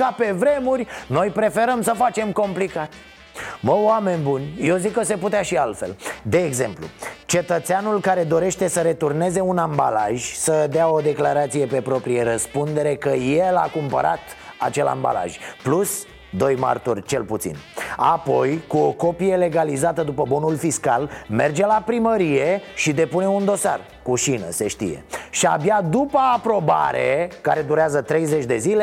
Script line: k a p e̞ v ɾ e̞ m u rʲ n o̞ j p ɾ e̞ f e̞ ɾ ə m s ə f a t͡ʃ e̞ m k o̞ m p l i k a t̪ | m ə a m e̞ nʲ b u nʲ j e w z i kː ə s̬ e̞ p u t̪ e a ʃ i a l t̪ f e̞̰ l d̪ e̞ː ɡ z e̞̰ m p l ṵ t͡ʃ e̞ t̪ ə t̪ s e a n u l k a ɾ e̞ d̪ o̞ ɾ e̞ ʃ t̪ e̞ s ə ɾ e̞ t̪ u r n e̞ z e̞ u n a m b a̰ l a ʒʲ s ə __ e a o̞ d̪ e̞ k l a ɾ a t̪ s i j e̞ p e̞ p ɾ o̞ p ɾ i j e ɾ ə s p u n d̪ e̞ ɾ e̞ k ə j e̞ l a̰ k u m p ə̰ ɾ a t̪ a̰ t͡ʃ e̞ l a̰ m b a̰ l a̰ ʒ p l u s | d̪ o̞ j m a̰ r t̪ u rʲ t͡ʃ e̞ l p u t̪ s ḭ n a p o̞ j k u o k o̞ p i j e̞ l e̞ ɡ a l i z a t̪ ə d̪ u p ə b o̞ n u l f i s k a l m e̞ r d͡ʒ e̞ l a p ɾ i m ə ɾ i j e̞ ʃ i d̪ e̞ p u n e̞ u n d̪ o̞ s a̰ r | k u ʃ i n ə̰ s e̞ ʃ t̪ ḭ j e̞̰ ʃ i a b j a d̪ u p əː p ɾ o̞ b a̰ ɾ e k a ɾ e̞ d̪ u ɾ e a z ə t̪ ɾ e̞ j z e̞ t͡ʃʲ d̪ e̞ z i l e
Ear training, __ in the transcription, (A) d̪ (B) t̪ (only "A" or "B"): A